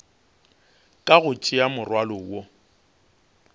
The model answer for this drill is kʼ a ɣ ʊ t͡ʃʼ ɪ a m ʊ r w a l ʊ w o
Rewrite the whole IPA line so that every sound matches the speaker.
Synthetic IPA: kʼ a ɣ ʊ t͡ʃʼ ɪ a m ʊ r w a l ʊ w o

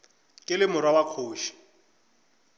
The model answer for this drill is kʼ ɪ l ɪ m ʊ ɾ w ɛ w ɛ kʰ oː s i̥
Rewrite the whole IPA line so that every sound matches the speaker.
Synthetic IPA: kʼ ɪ l ɪ m ʊ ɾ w a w a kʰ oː ʃ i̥

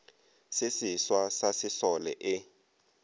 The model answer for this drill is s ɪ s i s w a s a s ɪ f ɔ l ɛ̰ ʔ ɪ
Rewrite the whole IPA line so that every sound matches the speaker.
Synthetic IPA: s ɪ s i s w a s a s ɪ s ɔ l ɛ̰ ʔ ɪ

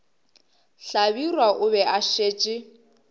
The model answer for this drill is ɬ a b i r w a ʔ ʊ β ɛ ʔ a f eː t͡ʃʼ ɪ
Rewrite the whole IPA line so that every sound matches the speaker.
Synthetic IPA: ɬ a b i r w a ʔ ʊ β ɛ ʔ a ʃ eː t͡ʃʼ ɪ

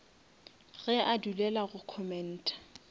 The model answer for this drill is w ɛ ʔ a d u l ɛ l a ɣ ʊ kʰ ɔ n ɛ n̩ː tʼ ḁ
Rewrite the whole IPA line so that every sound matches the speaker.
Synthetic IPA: ɣ ɛ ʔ a d u l ɛ l a ɣ ʊ kʰ ɔ m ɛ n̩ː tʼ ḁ

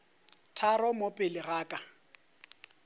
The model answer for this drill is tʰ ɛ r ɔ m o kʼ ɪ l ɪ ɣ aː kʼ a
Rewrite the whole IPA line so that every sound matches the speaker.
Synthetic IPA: tʰ a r ɔ m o pʼ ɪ l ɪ ɣ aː kʼ a

